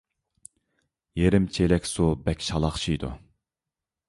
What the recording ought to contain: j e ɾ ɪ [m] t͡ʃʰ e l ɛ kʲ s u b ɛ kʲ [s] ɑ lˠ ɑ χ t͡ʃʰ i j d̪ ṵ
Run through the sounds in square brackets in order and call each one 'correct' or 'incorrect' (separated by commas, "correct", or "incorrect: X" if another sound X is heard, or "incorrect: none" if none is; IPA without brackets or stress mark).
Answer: correct, incorrect: ʃ